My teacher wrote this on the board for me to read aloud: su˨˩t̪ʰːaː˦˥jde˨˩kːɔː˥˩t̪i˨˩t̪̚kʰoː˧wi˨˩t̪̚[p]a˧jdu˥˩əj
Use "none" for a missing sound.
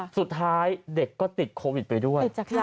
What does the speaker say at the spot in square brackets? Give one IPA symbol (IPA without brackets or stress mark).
p